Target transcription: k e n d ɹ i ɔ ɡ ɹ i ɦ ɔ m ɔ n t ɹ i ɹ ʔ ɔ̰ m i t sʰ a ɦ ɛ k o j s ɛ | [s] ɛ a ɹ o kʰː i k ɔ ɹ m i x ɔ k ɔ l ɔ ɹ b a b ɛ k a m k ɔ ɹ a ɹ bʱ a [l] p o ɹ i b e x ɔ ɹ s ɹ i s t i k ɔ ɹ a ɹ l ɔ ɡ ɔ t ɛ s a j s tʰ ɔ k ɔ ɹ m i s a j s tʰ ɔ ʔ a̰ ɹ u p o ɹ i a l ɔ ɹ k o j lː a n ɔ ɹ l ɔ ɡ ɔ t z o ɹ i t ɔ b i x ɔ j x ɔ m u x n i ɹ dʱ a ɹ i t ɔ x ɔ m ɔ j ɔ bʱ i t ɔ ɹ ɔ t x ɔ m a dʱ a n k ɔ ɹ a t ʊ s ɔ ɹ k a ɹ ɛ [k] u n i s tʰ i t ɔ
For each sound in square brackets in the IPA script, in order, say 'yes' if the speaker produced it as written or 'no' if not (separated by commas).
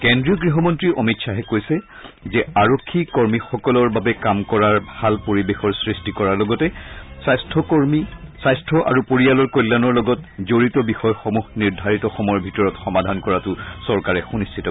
no, yes, no